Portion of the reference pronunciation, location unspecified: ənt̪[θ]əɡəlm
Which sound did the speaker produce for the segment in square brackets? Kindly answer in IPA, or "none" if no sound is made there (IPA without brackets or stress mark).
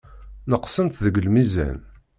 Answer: ð